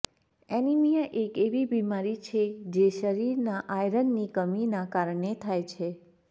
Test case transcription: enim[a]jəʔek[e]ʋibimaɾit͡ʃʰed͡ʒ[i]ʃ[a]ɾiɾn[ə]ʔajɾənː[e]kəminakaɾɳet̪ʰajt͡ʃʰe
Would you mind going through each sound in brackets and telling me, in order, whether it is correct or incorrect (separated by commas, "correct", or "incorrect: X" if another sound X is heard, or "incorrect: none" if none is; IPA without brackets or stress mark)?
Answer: incorrect: i, correct, incorrect: e, incorrect: ə, incorrect: a, incorrect: i